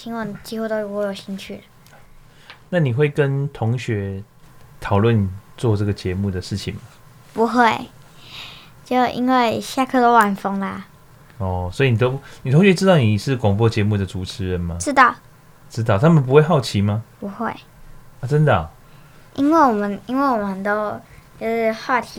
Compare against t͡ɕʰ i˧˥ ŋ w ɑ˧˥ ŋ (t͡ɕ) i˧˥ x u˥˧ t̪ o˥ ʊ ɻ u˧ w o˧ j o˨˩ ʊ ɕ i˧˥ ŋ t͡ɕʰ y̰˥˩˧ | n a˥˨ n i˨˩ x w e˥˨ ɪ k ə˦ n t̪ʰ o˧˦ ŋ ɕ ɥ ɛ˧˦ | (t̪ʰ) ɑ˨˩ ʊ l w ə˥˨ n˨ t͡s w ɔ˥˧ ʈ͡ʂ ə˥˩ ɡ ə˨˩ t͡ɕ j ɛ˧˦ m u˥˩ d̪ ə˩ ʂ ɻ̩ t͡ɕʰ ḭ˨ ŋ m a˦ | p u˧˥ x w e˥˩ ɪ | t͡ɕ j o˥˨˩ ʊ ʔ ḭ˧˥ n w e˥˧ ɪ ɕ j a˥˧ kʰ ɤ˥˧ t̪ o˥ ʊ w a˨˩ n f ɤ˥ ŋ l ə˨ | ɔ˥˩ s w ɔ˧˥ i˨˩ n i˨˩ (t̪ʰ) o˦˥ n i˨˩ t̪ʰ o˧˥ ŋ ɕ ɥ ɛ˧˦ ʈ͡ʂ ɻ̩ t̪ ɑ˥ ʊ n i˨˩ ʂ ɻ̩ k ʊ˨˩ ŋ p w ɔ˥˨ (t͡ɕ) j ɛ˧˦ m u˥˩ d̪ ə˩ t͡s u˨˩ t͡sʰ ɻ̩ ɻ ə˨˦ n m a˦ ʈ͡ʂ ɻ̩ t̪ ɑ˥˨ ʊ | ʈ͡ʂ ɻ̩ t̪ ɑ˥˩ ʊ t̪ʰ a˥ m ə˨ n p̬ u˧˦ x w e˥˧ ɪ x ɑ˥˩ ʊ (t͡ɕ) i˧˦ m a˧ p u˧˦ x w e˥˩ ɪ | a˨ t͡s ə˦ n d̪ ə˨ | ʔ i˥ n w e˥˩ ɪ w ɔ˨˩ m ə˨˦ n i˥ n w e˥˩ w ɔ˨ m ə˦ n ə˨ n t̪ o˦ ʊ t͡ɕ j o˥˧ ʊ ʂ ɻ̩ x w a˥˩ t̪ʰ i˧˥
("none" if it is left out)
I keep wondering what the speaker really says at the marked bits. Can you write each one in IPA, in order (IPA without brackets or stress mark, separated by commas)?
t͡ɕ, t̪ʰ, t̪, t͡ɕ, t͡ɕʰ